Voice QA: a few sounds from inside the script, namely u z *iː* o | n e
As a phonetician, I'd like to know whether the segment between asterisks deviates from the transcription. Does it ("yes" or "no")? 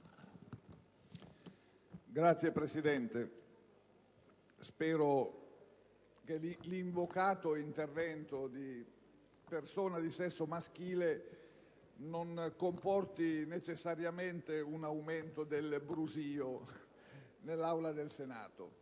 no